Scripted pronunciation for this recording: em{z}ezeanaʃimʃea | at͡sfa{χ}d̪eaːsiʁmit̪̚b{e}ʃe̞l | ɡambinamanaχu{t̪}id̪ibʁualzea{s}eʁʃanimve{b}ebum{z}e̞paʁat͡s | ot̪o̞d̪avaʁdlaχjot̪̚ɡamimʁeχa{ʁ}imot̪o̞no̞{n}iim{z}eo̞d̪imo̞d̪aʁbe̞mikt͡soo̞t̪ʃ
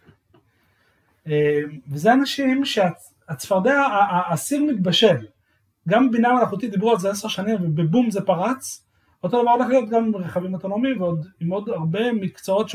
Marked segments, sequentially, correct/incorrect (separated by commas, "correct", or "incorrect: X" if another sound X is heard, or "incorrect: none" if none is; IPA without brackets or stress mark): incorrect: v, incorrect: ʁ, incorrect: a, correct, correct, correct, correct, incorrect: v, incorrect: m, incorrect: v